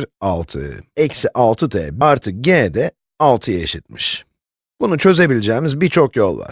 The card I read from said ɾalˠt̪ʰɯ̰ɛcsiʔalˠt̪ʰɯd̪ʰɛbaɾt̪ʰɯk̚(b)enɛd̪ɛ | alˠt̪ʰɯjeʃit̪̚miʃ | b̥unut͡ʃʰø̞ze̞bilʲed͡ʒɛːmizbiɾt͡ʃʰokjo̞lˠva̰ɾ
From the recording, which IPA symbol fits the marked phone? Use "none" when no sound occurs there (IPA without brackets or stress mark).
ɟ